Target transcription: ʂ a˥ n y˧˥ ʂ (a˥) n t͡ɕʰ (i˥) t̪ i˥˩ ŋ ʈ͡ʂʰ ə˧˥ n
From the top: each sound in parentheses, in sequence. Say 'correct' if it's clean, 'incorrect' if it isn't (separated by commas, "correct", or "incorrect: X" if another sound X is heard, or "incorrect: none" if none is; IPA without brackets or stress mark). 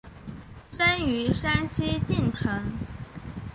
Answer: correct, correct